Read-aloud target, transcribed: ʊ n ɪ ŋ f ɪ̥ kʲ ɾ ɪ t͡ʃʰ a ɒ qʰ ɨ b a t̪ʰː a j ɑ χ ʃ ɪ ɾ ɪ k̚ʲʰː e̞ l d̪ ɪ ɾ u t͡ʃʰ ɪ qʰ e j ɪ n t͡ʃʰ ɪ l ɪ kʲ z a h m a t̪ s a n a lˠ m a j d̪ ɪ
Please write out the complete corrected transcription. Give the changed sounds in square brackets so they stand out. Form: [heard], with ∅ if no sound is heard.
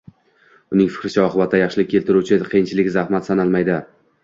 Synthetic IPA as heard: ʊ n ɪ ŋ f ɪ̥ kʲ ɾ ɪ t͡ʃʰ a ɒ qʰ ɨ b a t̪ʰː a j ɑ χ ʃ ɪ [l] ɪ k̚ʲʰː e̞ l [t̪] ɪ ɾ u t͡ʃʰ ɪ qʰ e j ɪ n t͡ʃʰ ɪ l ɪ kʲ z a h m a t̪ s a n a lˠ m a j d̪ ɪ